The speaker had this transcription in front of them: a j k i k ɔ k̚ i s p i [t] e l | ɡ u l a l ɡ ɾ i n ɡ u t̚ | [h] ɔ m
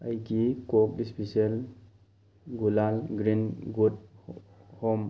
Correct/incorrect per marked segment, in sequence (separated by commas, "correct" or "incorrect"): incorrect, correct